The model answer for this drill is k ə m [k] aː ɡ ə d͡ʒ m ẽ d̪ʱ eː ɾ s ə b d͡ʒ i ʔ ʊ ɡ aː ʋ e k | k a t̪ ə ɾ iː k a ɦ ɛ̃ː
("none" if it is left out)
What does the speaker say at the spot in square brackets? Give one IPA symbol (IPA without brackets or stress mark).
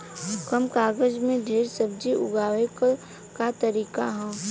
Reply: k